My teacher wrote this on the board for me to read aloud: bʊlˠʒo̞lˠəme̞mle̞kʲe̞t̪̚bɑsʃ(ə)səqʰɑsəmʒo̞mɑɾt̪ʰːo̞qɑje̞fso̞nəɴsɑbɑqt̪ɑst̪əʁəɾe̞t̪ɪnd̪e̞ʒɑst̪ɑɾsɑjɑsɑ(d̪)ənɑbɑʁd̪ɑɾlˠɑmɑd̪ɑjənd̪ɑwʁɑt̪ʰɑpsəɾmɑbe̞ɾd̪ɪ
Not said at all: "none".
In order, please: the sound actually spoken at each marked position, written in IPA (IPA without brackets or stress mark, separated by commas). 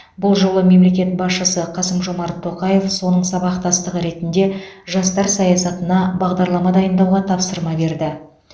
ə, t̪